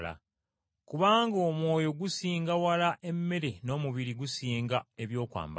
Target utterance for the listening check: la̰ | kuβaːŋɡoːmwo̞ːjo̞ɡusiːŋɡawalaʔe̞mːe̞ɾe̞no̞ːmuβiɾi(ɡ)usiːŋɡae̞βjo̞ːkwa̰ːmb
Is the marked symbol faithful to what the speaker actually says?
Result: yes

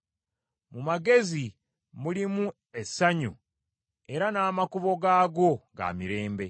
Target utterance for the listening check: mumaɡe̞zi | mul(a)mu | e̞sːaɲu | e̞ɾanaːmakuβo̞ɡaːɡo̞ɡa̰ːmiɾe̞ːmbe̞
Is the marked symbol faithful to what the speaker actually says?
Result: no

